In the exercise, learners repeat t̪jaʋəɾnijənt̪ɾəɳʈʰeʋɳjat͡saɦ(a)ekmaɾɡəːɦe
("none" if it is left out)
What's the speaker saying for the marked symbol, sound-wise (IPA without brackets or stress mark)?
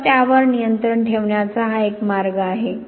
a